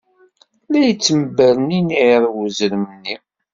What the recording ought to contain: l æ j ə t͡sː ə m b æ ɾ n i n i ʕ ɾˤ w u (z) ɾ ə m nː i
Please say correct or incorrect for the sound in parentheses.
correct